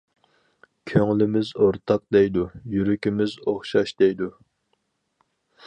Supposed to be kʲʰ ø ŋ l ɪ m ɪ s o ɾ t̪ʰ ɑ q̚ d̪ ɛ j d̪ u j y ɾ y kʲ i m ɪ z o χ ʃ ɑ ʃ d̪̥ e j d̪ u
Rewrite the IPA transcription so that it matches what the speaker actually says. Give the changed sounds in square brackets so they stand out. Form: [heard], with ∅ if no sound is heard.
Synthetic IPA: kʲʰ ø ŋ l ɪ m ɪ [z] o ɾ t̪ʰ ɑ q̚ d̪ ɛ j d̪ u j y ɾ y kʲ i m ɪ z o χ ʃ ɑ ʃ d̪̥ [ɛ] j d̪ u